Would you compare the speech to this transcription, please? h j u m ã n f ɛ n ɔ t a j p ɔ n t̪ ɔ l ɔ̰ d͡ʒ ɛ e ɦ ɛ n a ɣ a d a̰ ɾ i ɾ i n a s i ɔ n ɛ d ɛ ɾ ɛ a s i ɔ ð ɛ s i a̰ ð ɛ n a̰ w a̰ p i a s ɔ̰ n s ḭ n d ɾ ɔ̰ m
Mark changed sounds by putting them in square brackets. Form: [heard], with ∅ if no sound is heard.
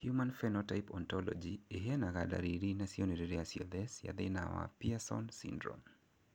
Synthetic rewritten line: h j u m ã n f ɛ n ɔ t a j p ɔ n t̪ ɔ l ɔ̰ d͡ʒ [i] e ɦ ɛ n a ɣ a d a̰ ɾ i ɾ i n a s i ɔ n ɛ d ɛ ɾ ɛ a s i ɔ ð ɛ s [j] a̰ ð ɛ n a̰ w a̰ p i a s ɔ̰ n s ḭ n d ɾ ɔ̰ m